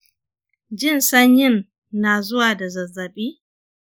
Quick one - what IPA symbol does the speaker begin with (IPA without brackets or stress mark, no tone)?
d͡ʒ